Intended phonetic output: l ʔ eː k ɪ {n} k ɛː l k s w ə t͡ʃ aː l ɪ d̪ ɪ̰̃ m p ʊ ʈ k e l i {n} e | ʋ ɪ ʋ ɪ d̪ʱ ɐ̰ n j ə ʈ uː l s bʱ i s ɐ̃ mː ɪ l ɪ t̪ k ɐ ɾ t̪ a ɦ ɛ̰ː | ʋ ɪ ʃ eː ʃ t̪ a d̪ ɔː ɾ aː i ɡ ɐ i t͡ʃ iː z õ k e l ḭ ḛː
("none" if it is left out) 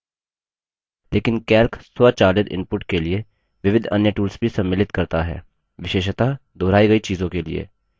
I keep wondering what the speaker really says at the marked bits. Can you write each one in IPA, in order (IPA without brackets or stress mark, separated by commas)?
n, none